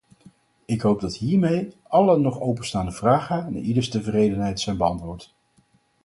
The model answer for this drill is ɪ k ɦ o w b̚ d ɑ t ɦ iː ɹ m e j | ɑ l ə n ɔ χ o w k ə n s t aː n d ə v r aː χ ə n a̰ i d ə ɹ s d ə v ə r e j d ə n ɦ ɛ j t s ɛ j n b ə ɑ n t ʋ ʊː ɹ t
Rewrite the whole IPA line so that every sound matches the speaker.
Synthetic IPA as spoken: ɪ k ɦ o w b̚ d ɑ t ɦ iː ɹ m e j | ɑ l ə n ɔ χ o w p ə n s t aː n d ə v r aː χ ə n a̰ i d ə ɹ s t ə v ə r e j d ə n ɦ ɛ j t s ɛ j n b ə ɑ n t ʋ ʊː ɹ t